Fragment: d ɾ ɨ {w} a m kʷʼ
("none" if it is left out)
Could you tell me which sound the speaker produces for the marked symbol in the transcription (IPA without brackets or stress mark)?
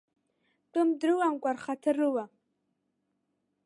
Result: w